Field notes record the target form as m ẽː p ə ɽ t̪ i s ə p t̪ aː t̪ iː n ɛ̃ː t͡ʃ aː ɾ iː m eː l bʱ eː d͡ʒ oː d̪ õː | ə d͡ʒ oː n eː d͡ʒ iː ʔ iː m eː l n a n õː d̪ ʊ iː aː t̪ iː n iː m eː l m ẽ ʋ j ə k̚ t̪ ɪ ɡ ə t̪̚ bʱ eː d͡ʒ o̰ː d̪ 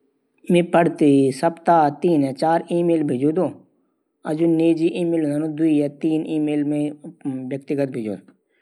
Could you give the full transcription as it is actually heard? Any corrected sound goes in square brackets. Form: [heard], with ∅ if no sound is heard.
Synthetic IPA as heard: m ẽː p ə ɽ t̪ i s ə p t̪ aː t̪ iː n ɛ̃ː t͡ʃ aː ɾ iː m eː l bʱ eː d͡ʒ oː d̪ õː | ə d͡ʒ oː n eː d͡ʒ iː ʔ iː m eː l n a n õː d̪ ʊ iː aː t̪ iː n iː m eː l m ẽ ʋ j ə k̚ t̪ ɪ ɡ ə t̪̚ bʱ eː d͡ʒ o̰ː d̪